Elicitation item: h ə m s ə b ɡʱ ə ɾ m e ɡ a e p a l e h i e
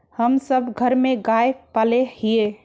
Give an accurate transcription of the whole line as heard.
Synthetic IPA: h ə m s ə b ɡʱ ə ɾ m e ɡ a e p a l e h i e